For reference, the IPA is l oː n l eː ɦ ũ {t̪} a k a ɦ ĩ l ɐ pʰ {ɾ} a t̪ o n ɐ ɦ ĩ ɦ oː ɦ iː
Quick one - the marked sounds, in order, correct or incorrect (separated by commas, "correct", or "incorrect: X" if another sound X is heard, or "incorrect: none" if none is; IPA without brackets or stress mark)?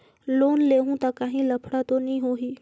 correct, incorrect: ɽ